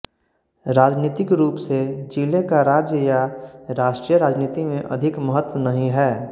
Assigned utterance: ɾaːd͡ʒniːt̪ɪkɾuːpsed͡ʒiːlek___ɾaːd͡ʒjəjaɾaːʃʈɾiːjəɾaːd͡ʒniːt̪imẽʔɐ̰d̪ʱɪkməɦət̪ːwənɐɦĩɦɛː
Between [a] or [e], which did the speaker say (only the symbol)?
a